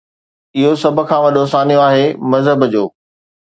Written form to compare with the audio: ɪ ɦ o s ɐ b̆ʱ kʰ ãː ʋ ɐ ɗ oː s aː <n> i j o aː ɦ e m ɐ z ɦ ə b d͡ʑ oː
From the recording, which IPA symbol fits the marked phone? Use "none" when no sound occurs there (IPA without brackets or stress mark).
n